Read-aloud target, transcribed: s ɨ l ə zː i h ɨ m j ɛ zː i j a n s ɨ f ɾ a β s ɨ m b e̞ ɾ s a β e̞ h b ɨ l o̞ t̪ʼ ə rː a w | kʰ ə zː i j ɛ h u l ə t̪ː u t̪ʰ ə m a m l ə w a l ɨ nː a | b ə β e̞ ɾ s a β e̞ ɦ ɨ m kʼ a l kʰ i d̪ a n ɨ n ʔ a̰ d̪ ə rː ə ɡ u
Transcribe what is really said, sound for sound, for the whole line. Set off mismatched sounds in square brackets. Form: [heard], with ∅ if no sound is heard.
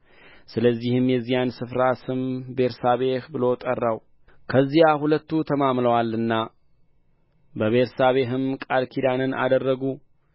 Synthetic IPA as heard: s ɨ l ə zː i h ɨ m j ɛ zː i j a n s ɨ f ɾ a [∅] s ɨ m b e̞ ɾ s a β e̞ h b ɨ l o̞ t̪ʼ ə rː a w | kʰ ə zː i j [a] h u l ə t̪ː u t̪ʰ ə m a m l ə w a l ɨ nː a | b ə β e̞ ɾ s a β e̞ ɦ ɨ m kʼ a l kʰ i d̪ a n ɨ n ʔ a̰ d̪ ə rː ə ɡ u